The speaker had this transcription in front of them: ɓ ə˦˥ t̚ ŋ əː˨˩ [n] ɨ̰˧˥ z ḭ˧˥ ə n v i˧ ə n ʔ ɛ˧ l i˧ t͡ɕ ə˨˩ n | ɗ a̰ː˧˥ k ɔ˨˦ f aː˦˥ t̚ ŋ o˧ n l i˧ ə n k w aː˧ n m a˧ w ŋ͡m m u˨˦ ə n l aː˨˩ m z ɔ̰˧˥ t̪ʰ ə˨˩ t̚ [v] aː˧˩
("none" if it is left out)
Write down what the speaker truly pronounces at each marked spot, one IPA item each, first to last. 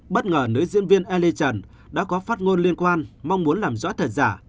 n, z

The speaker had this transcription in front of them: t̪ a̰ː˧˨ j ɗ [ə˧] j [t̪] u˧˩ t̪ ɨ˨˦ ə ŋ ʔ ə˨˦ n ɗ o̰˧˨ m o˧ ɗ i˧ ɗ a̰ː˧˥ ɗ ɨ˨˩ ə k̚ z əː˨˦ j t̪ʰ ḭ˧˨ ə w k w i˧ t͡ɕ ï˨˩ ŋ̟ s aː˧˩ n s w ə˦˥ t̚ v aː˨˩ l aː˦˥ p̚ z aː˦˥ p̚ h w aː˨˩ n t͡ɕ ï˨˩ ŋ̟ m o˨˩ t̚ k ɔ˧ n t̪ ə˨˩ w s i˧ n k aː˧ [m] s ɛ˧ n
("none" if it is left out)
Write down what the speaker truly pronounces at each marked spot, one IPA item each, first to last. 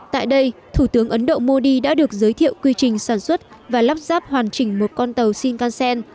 ə˧, t̪ʰ, n

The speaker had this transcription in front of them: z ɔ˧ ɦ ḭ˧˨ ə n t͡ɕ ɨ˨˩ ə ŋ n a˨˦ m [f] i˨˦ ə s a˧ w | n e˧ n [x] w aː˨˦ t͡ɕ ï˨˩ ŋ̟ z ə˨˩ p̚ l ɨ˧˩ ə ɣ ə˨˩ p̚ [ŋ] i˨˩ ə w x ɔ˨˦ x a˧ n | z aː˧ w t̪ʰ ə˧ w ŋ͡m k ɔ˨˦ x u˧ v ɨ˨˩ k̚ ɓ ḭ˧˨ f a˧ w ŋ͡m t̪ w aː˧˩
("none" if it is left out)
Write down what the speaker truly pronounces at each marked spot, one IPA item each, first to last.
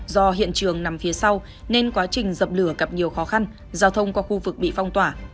f, k, ɲ

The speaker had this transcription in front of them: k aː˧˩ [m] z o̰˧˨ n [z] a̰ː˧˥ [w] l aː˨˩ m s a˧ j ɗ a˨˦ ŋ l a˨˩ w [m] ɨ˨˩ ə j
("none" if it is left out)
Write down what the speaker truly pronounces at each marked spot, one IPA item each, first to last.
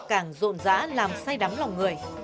ŋ, z, none, ŋ

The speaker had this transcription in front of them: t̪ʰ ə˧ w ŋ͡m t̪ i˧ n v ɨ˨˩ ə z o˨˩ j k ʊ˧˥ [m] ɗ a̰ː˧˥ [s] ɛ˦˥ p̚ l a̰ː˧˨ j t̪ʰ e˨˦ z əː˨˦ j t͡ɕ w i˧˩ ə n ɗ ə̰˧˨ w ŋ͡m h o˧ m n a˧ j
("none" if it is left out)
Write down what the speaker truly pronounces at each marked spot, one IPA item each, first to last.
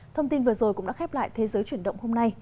ŋ͡m, x

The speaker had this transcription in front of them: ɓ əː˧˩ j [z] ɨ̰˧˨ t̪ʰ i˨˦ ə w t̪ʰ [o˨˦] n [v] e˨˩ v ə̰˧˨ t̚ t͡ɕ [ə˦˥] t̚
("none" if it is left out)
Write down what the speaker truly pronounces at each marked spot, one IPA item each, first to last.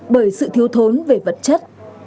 s, o˨˦, v, ə˦˥

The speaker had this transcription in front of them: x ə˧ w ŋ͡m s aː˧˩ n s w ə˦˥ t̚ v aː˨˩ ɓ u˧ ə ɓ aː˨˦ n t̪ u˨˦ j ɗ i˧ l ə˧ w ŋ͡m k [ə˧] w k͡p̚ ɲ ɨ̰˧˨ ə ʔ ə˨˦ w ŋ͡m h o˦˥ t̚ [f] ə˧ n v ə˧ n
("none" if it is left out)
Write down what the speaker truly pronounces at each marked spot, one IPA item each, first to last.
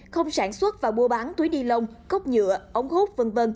ə˦˥, v

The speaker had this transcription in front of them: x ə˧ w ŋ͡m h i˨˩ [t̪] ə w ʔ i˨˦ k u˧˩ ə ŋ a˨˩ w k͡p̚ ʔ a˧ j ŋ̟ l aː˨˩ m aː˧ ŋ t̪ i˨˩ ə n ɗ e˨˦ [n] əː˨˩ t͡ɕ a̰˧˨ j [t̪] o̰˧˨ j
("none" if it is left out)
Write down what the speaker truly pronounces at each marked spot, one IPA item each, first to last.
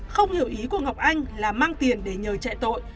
none, ɲ, t̪

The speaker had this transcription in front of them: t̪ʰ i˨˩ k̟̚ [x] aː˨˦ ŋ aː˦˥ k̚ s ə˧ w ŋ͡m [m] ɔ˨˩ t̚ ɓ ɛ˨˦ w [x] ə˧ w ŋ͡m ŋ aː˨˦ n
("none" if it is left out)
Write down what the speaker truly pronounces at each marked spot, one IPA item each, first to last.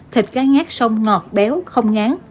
k, ŋ, x

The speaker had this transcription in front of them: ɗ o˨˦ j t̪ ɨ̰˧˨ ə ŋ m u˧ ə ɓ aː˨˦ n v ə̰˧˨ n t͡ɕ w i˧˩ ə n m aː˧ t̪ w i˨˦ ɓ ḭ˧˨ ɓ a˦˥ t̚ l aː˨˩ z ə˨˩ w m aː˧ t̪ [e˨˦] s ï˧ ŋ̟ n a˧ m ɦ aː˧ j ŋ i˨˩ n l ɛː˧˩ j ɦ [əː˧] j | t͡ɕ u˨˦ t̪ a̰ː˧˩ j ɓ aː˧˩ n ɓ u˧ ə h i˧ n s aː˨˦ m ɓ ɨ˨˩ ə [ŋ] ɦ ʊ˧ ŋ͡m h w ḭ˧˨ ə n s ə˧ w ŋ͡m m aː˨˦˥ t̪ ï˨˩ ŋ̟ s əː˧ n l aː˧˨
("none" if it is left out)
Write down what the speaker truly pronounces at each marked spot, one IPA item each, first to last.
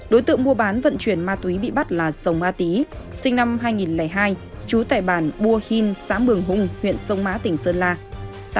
i˨˦, aː˧, ŋ

